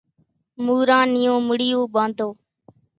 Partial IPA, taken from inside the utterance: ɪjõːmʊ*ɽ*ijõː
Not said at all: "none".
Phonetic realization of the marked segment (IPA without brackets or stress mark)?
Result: ɽ